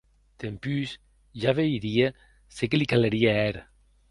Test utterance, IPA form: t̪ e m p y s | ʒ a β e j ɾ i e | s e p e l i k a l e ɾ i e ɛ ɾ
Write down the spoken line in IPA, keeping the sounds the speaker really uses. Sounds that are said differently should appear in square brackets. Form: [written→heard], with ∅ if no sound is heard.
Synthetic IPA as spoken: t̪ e m p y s | ʒ a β e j ɾ i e | s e [p→k] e l i k a l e ɾ i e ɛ ɾ